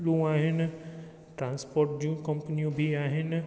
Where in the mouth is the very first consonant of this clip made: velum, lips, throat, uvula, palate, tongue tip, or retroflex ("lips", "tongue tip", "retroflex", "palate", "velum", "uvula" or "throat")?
tongue tip